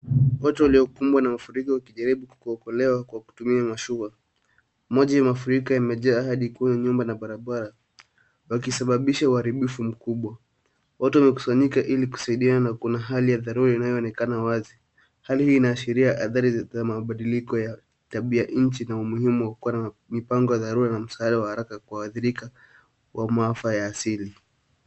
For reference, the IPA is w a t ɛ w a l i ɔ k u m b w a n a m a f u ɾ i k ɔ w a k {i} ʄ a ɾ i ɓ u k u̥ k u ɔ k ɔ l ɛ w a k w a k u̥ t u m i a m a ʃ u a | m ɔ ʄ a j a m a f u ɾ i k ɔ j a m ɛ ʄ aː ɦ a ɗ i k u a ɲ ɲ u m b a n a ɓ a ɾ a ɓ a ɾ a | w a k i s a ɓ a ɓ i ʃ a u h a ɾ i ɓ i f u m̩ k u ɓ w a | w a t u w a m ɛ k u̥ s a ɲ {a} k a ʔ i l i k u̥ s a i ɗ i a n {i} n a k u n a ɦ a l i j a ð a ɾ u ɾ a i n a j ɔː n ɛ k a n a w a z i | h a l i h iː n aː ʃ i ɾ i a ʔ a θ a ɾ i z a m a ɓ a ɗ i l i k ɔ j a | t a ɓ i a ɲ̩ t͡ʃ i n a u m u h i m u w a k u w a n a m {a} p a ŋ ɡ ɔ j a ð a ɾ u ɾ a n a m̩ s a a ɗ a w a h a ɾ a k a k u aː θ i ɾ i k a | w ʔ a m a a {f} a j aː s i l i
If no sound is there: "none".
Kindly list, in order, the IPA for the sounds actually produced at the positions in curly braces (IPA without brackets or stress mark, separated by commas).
i, i, a, i, f